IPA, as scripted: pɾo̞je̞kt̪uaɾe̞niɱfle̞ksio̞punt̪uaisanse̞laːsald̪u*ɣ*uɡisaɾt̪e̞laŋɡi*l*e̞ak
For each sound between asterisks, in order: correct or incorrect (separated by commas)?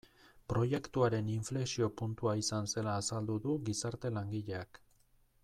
incorrect, incorrect